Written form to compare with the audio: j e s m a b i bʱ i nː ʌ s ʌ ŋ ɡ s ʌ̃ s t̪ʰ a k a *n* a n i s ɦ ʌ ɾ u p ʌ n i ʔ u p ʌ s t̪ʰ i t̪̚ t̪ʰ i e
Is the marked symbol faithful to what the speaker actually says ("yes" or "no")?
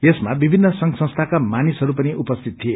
no